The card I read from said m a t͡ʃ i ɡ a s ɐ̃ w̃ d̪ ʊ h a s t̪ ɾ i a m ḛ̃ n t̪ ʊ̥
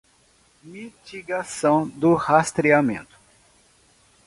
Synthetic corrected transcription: m i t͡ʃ i ɡ a s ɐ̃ w̃ d̪ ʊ h a s t̪ ɾ i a m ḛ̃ n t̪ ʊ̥